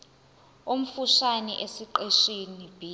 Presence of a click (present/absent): present